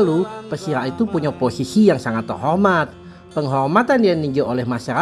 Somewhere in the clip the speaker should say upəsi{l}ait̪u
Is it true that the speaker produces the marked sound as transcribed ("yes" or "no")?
no